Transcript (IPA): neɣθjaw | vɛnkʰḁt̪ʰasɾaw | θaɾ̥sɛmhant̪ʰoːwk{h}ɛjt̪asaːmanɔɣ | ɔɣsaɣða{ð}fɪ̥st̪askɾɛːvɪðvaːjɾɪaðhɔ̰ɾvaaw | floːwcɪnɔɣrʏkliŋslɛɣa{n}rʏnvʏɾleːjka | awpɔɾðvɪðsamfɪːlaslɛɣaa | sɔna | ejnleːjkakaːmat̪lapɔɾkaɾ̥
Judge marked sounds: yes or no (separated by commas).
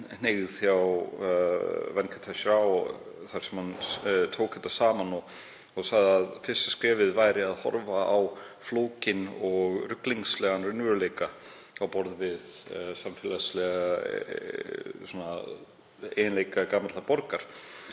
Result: yes, yes, yes